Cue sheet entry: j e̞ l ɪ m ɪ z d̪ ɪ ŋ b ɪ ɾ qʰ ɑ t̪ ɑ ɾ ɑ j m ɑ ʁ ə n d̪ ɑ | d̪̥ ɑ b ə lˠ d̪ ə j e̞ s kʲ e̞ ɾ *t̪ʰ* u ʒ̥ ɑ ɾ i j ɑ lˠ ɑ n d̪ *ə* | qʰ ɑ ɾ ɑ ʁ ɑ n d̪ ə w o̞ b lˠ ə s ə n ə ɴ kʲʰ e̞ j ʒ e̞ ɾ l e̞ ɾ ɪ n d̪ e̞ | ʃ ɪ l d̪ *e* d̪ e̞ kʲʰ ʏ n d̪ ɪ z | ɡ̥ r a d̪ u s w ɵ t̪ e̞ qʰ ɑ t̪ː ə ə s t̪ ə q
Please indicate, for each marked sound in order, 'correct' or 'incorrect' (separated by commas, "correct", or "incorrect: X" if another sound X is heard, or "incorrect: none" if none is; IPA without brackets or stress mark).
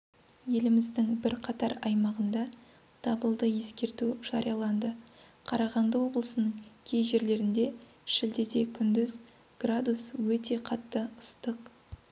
incorrect: t̪, correct, correct